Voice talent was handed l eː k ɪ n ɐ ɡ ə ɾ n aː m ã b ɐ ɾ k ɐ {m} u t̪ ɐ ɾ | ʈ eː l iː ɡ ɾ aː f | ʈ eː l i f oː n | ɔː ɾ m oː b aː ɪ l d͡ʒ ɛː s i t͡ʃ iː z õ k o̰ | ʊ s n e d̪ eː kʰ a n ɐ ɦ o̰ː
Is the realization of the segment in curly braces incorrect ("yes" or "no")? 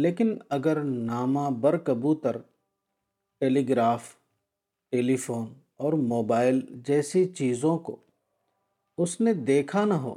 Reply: yes